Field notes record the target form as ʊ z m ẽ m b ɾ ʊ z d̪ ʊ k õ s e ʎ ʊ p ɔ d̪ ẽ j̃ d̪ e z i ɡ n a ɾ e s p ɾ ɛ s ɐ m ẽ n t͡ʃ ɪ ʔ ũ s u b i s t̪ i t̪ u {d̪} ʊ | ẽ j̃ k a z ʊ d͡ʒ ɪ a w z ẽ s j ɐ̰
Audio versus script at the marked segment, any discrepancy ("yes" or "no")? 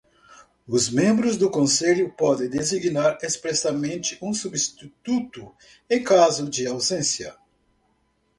yes